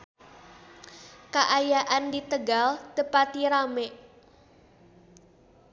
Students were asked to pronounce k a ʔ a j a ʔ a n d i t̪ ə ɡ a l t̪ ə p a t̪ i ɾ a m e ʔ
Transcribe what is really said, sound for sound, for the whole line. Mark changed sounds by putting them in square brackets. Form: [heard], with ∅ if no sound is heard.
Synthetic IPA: k a ʔ a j a ʔ a n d i t̪ ə ɡ a l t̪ ə p a t̪ i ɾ a m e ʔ